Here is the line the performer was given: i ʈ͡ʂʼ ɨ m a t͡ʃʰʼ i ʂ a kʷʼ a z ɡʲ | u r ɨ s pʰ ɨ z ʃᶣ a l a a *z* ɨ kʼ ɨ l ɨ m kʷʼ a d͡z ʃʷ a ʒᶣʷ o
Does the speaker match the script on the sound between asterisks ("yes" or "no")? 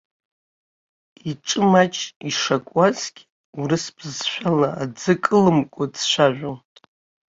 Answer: no